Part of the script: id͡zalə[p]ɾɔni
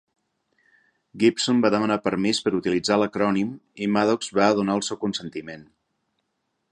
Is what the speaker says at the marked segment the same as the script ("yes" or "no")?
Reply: no